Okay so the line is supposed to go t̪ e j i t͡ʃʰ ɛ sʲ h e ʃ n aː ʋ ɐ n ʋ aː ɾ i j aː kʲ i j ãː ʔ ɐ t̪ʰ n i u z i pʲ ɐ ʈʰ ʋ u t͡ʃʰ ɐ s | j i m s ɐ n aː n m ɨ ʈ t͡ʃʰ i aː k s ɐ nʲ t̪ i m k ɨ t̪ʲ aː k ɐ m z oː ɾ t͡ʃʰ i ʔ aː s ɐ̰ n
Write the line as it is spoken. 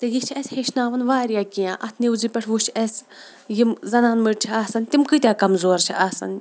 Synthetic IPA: t̪ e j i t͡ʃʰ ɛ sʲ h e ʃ n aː ʋ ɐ n ʋ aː ɾ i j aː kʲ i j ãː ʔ ɐ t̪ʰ n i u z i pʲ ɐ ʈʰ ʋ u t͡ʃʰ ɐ s | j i m z ɐ n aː n m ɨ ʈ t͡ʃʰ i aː s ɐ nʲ t̪ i m k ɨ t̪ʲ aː k ɐ m z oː ɾ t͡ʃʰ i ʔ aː s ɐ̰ n